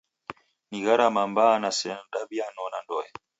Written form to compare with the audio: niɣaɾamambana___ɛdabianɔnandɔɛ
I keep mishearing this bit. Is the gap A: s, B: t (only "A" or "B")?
A